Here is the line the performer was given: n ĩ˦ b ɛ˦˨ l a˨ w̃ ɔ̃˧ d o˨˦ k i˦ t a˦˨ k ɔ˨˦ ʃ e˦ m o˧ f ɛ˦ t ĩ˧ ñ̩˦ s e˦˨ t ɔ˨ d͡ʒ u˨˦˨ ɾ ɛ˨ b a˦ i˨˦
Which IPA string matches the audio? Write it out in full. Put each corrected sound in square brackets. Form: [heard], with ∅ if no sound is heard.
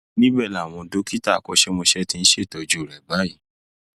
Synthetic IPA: n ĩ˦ b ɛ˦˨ l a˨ w̃ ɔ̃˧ d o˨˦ k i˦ t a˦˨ k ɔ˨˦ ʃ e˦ m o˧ [ʃ] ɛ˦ t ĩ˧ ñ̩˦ [ʃ] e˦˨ t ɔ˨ d͡ʒ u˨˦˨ ɾ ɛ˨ b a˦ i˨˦